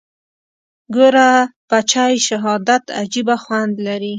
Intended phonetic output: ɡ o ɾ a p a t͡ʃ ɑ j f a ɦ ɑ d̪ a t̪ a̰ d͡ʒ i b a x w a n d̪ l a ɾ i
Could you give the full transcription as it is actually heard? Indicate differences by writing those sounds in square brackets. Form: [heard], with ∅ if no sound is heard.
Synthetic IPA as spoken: ɡ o ɾ a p a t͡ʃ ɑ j [ʃ] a ɦ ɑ d̪ a t̪ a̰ d͡ʒ i b a x w a n d̪ l a ɾ i

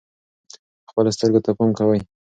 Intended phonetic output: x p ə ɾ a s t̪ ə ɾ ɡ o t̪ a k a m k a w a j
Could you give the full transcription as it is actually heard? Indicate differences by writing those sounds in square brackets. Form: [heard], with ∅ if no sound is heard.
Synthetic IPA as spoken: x p ə [l] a s t̪ ə ɾ ɡ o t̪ a [p] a m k a w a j

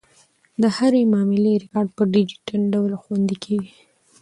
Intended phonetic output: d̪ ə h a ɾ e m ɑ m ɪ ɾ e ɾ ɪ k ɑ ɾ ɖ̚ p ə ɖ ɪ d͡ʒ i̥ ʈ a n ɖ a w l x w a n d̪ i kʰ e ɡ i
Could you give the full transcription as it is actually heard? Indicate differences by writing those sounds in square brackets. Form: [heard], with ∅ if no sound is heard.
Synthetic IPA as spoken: d̪ ə h a ɾ e m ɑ m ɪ [l] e ɾ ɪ k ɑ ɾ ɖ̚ p ə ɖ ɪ d͡ʒ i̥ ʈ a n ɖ a w l x w a n d̪ i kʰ e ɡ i

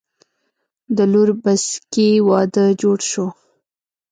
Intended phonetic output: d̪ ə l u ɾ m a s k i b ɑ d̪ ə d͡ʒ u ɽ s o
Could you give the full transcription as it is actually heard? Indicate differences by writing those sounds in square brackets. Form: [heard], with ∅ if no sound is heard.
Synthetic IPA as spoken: d̪ ə l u ɾ [b] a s k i [w] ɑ d̪ ə d͡ʒ [o] ɽ [ʃ] o

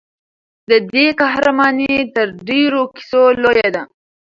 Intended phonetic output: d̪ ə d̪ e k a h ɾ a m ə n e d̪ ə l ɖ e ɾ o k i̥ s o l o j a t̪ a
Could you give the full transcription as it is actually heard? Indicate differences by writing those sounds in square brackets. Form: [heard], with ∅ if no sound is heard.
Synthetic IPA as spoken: d̪ ə d̪ e k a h ɾ a m [ɑ] n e [t̪] ə [ɾ] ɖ e ɾ o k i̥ s o l o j a [d̪] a

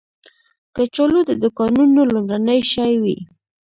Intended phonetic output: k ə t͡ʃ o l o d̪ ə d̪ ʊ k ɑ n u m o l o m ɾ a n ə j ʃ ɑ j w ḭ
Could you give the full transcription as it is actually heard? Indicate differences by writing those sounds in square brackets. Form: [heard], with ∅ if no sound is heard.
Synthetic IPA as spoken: k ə t͡ʃ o l o d̪ ə d̪ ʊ k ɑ n u [n] o l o m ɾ a n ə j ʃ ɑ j w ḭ

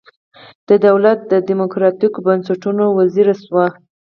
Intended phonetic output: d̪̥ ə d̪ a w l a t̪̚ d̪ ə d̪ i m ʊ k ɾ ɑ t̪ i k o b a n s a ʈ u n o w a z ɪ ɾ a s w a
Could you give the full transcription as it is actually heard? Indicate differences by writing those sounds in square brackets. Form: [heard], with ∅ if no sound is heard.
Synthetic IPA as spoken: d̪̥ ə d̪ a w l a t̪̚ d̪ ə d̪ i m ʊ k ɾ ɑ t̪ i k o b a n s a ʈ u n o w a z [i] ɾ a s w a

